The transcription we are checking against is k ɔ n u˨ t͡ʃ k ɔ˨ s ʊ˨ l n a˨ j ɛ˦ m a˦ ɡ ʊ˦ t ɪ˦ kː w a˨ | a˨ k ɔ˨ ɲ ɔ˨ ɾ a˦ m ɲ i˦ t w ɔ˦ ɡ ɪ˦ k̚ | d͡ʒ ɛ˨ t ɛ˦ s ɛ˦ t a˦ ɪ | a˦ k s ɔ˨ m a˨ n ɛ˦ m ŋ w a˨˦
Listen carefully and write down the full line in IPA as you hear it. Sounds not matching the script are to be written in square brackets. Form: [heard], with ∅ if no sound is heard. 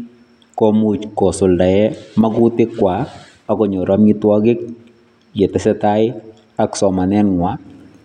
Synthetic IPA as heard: k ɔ [m] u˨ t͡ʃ k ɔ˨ s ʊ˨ l [d] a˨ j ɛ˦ m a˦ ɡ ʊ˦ t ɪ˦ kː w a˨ | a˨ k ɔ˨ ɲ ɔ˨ ɾ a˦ m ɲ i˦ t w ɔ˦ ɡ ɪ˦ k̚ | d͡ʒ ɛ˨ t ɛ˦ s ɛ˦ t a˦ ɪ | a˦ k s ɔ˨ m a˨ n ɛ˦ [n] ŋ w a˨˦